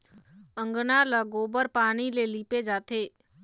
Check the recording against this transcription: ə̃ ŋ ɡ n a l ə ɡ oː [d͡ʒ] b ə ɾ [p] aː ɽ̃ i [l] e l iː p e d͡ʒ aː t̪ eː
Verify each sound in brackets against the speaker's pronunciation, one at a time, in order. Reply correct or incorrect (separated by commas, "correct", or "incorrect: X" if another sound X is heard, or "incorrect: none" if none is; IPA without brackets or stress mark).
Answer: incorrect: none, correct, correct